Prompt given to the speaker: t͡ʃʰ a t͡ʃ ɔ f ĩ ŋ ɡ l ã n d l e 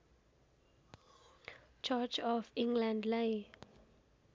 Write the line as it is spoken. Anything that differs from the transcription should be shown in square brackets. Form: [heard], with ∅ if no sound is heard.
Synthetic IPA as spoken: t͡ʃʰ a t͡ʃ ɔ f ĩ ŋ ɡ l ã n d l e